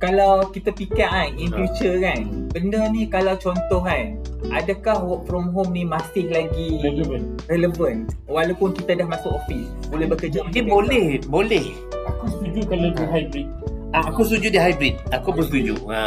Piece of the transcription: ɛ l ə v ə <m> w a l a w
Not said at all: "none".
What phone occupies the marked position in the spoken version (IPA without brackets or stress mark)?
n